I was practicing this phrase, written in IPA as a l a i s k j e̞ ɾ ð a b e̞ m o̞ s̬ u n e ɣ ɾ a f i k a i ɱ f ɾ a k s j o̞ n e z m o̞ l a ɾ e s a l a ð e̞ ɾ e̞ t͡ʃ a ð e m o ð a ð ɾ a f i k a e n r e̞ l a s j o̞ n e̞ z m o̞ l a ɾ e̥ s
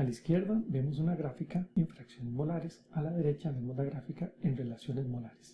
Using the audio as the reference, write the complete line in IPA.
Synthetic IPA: a l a i s k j e̞ ɾ ð a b e̞ m o̞ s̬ u n a ɣ ɾ a f i k a i ɱ f ɾ a k s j o̞ n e z m o̞ l a ɾ e s a l a ð e̞ ɾ e̞ t͡ʃ a ð e m o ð a ɣ ɾ a f i k a e n r e̞ l a s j o̞ n e̞ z m o̞ l a ɾ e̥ s